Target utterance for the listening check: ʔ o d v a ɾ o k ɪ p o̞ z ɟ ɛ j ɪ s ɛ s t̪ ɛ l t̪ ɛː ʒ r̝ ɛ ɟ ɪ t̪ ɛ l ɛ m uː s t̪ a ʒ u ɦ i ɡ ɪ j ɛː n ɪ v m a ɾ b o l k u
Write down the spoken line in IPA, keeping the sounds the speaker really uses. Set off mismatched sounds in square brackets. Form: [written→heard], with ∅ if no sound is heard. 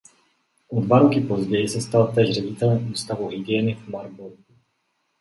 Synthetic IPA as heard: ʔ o d v a ɾ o k ɪ p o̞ z ɟ ɛ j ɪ s ɛ s t̪ [ɛ→a] l t̪ ɛː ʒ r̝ ɛ ɟ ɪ t̪ ɛ l ɛ m uː s t̪ a [ʒ→v] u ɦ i ɡ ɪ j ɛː n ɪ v m a ɾ b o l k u